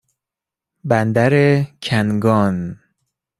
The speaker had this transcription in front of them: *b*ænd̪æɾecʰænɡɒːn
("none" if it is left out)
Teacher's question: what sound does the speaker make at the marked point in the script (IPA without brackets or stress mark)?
b